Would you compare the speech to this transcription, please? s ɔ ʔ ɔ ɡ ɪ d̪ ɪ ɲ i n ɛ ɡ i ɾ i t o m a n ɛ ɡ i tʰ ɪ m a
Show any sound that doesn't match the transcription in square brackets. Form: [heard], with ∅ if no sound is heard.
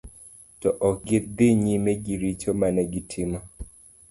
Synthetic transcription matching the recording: [t] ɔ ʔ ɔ ɡ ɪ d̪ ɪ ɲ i [m] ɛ ɡ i ɾ i [t͡ʃ] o m a n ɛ ɡ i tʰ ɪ m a